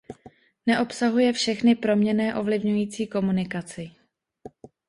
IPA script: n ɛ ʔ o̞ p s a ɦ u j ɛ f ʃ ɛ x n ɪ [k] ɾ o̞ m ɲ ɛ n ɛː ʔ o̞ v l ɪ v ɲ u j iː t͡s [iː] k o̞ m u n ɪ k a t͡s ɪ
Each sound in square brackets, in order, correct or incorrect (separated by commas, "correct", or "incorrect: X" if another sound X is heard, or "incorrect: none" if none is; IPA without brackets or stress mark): incorrect: p, correct